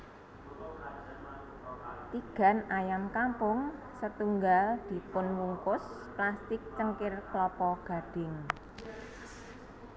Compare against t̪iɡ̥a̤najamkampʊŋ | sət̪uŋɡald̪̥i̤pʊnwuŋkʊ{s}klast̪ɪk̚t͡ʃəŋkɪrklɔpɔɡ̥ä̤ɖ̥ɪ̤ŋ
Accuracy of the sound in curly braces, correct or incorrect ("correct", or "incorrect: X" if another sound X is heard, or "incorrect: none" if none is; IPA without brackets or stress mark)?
correct